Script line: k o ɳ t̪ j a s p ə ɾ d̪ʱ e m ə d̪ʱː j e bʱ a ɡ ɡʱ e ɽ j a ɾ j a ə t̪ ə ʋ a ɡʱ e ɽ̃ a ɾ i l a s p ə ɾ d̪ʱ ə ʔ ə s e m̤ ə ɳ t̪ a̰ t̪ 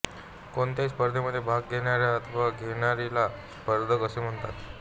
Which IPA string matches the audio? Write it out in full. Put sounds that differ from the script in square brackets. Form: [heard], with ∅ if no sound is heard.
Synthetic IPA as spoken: k o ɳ t̪ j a s p ə ɾ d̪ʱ e m ə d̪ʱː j e bʱ a ɡ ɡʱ e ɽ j a ɾ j a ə [t̪ʰ] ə ʋ a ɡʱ e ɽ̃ a ɾ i l a s p ə ɾ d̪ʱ ə [k] ə s e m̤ ə ɳ t̪ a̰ t̪

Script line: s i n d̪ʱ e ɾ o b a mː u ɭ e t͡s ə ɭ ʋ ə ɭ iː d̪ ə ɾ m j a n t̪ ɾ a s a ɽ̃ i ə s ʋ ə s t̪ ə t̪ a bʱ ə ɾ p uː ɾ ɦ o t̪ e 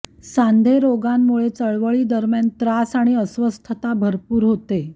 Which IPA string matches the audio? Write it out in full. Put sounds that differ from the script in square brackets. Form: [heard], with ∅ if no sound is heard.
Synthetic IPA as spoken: s [a] n d̪ʱ e ɾ o [ɡ] a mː u ɭ e t͡s ə ɭ ʋ ə ɭ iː d̪ ə ɾ m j a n t̪ ɾ a s a ɽ̃ i ə s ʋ ə s [t̪ʰ] ə t̪ a bʱ ə ɾ p uː ɾ ɦ o t̪ e

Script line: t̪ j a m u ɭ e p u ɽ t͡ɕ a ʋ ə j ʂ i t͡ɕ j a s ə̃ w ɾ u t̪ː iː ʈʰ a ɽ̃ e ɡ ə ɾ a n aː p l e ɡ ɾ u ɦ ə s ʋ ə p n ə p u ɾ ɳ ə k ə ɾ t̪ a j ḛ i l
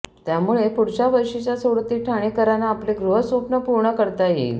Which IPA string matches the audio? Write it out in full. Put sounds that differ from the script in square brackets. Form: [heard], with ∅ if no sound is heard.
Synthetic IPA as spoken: t̪ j a m u ɭ e p u ɽ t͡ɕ a ʋ ə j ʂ i t͡ɕ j a s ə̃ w ɾ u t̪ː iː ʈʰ a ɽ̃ e [k] ə ɾ a n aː p l e ɡ ɾ u ɦ ə s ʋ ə p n ə p u ɾ ɳ ə k ə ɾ t̪ a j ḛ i l

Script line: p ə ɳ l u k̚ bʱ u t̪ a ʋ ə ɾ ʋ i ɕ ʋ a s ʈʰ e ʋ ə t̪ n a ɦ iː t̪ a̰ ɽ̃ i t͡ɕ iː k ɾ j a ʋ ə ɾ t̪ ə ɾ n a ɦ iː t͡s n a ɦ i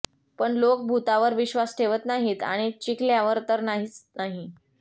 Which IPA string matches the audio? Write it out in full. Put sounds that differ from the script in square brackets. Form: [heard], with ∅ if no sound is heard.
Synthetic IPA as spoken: p ə ɳ l [o] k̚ bʱ u t̪ a ʋ ə ɾ ʋ i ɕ ʋ a s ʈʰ e ʋ ə t̪ n a ɦ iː t̪ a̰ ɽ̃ i t͡ɕ [i] k [l] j a ʋ ə ɾ t̪ ə ɾ n a ɦ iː t͡s n a ɦ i

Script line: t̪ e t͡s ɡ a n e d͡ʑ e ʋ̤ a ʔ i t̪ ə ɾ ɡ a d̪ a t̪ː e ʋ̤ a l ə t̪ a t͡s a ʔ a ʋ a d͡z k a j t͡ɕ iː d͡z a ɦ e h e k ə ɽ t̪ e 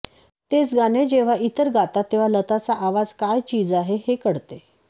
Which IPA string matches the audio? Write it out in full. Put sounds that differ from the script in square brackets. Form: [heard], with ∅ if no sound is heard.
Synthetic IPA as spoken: t̪ e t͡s ɡ a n e d͡ʑ e ʋ̤ a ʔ i t̪ ə ɾ ɡ a [t̪] a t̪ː e ʋ̤ a l ə t̪ a t͡s a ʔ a ʋ a d͡z k a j t͡ɕ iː d͡z a ɦ e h e k ə ɽ t̪ e

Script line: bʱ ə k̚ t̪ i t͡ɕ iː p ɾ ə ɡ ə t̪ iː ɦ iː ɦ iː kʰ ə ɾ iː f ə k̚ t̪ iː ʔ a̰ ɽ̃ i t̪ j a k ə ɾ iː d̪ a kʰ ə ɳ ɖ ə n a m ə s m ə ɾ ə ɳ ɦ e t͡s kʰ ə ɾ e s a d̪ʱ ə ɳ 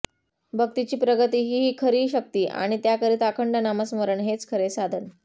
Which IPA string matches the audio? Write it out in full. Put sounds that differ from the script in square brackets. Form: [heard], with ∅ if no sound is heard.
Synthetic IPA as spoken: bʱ ə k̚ t̪ i t͡ɕ iː p ɾ ə ɡ ə t̪ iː ɦ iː ɦ iː kʰ ə ɾ iː [ɕ] ə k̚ t̪ iː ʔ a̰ ɽ̃ i t̪ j a k ə ɾ iː [t̪] a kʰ ə ɳ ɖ ə n a m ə s m ə ɾ ə ɳ ɦ e t͡s kʰ ə ɾ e s a d̪ʱ ə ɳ

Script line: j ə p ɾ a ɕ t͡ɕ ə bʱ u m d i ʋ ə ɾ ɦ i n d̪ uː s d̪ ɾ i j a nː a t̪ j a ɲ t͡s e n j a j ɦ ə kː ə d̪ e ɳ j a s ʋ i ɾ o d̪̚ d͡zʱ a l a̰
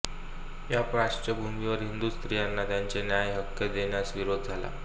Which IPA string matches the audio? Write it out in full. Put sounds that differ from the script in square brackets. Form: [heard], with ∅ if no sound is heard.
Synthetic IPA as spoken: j [a] p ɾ a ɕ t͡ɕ ə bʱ u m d i ʋ ə ɾ ɦ i n d̪ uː s [t̪] ɾ i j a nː a t̪ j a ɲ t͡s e n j a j ɦ ə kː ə d̪ e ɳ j a s ʋ i ɾ o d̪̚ d͡zʱ a l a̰

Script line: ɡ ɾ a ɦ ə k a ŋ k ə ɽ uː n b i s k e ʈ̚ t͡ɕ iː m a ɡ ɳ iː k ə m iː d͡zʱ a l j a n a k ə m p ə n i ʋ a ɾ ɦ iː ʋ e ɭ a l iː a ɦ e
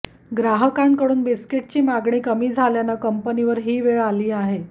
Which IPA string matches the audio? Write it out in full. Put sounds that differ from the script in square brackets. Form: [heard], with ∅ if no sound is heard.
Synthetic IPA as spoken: ɡ ɾ a ɦ ə k a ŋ k ə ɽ uː n b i s k e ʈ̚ t͡ɕ iː m a ɡ ɳ iː k ə m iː d͡zʱ a l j a n a k ə m p ə n i ʋ [ə] ɾ ɦ iː ʋ e ɭ a l iː a ɦ e

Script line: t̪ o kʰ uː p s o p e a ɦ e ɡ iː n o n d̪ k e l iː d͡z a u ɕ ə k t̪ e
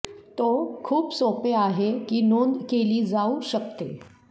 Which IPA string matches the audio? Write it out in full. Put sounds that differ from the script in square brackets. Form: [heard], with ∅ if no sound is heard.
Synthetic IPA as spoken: t̪ o kʰ uː p s o p e a ɦ e [k] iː n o n d̪ k e l iː d͡z a u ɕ ə k t̪ e

